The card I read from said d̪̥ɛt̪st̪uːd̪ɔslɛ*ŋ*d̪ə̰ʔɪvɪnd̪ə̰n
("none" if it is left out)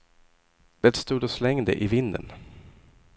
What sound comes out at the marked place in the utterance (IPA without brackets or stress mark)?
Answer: ŋ